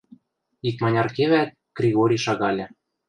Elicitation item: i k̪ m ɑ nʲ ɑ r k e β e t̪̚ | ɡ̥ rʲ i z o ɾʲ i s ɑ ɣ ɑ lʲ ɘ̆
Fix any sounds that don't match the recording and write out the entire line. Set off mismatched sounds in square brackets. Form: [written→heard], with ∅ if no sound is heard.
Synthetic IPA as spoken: i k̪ m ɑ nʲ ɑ r k e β [e→æ] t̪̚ | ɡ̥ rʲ i [z→ɣ] o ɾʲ i [s→ʃ] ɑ ɣ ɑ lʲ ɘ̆